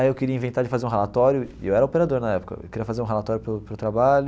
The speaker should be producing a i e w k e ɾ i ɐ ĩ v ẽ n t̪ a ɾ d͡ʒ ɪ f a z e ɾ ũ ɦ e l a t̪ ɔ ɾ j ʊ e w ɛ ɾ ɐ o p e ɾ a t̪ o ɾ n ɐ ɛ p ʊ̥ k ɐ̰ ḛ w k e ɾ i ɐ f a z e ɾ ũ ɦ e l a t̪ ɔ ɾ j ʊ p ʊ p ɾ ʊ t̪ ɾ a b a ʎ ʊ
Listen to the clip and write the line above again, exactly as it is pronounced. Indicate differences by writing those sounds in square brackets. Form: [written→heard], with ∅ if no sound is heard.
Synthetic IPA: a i e w k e ɾ i ɐ ĩ v ẽ n t̪ a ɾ d͡ʒ ɪ f a z e ɾ ũ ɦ e l a t̪ ɔ ɾ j ʊ e w ɛ ɾ ɐ o p e ɾ a [t̪→d̪] o ɾ n ɐ ɛ p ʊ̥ k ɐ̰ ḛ w k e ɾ i ɐ f a z e ɾ ũ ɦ e l a t̪ ɔ ɾ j ʊ p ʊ p ɾ ʊ t̪ ɾ a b a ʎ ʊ